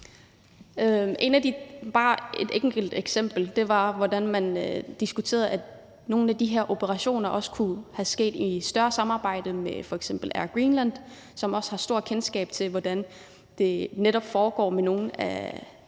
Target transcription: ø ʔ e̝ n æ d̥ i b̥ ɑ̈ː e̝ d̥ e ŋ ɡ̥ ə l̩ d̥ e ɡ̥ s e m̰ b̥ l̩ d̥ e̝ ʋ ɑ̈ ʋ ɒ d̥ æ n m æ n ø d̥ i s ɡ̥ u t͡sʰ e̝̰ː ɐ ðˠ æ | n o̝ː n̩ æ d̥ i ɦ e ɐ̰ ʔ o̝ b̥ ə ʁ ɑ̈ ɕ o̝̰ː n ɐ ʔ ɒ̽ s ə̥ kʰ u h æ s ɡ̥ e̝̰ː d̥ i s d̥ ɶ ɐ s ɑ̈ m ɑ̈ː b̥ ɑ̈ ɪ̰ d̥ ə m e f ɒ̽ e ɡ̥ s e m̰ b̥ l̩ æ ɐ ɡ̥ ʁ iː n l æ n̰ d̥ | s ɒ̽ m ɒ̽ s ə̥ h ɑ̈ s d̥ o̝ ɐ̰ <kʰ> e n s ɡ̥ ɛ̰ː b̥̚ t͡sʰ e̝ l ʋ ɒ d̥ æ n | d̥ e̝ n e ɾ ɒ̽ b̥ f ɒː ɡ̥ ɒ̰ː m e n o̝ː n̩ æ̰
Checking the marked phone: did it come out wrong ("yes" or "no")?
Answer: no